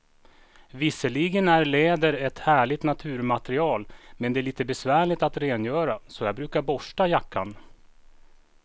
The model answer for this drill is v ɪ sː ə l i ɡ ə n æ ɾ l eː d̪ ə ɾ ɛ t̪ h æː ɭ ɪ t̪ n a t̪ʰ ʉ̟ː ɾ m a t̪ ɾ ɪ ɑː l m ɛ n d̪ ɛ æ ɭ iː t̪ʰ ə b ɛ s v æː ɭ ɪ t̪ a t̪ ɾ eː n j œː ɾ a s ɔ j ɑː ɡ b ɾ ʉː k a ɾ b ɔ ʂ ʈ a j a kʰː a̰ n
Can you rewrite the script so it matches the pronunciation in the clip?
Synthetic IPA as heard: v ɪ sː ə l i ɡ ə n æ ɾ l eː d̪ ə ɾ ɛ t̪ h æː ɭ ɪ t̪ n a t̪ʰ ʉ̟ː ɾ m a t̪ ɾ ɪ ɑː l m ɛ n d̪ ɛ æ ɭ iː t̪ ə b ɛ s v æː ɭ ɪ t̪ a t̪ ɾ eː n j œː ɾ a s ɔ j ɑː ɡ b ɾ ʉː k a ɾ b ɔ ʂ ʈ a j a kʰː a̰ n